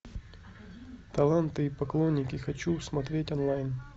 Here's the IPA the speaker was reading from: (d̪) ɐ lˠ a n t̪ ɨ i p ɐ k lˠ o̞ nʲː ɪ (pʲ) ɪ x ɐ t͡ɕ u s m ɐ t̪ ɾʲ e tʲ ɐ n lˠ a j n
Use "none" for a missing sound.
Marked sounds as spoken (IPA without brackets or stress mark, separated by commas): t̪, kʲ